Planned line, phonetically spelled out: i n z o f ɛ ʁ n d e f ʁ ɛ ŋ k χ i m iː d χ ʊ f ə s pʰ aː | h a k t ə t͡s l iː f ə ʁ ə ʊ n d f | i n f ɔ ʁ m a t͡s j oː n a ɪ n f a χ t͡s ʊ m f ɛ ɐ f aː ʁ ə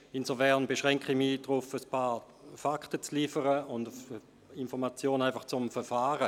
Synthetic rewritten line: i n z o f ɛ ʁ n b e ʃ ʁ ɛ ŋ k χ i m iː d ʁ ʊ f ə s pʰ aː | f a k t ə t͡s l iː f ə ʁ ə ʊ n d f | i n f ɔ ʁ m a t͡s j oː n a ɪ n f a χ t͡s ʊ m f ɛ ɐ f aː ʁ ə